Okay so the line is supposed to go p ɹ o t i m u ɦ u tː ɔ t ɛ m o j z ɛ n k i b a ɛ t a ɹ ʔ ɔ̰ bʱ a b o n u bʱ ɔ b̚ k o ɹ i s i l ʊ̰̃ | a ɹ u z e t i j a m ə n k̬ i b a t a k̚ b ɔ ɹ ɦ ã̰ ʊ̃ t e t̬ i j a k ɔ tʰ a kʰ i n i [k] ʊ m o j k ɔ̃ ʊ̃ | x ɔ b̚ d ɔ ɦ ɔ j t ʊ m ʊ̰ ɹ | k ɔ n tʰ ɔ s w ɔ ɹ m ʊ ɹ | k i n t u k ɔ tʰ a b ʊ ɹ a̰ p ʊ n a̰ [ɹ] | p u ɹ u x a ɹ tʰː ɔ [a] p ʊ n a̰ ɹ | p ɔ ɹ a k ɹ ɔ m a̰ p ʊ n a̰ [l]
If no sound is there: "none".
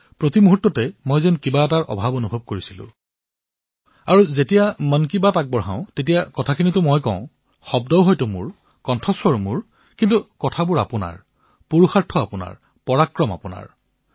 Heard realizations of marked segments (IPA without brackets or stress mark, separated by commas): t, ɹ, a, ɹ